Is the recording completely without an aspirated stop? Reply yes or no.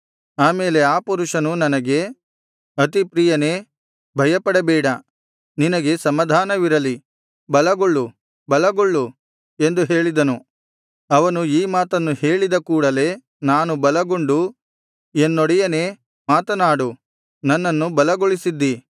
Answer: yes